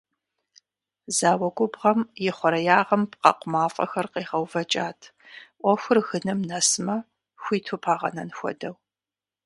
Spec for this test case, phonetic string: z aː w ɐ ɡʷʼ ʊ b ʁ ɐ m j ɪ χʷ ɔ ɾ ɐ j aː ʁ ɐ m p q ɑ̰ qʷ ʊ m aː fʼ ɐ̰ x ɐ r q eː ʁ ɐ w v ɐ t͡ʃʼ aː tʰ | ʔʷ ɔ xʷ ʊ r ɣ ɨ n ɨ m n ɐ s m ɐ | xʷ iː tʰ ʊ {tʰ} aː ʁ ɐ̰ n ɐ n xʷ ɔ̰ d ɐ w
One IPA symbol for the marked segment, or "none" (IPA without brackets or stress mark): pʰ